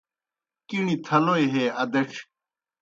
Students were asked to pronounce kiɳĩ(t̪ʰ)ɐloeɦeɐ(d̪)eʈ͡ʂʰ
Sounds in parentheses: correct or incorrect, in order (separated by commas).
correct, correct